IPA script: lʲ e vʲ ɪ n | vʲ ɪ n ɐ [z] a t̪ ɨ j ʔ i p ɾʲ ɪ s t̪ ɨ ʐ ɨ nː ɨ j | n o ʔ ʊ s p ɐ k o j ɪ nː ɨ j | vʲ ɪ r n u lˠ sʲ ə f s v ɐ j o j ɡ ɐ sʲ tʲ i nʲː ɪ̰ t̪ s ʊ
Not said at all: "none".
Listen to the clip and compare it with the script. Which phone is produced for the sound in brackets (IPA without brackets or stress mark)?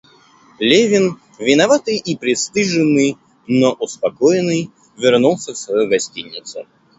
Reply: v